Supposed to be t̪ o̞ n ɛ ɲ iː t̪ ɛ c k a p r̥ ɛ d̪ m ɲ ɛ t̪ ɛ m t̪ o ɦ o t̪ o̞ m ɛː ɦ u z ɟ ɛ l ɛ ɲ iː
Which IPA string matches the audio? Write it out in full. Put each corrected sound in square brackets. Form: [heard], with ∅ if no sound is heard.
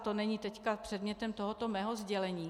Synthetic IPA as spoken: t̪ o̞ n ɛ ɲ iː t̪ ɛ c k a p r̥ ɛ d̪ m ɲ ɛ t̪ ɛ m t̪ o ɦ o t̪ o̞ m ɛː ɦ [o] z ɟ ɛ l ɛ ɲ iː